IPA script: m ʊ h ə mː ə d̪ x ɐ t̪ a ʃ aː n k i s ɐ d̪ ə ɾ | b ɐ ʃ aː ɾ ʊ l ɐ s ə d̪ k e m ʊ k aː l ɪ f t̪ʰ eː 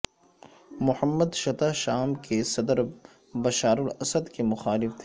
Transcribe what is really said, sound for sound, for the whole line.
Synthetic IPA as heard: m ʊ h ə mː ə d̪ ʃ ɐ t̪ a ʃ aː m k e s ɐ d̪ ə ɾ | b ɐ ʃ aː ɾ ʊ l ɐ s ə d̪ k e m ʊ x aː l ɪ f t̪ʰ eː